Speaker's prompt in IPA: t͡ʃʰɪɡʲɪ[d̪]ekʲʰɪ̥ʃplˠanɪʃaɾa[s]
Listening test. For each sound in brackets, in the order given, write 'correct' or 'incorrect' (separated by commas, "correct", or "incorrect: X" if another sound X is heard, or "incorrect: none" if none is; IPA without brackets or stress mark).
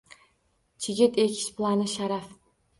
incorrect: t̪, incorrect: f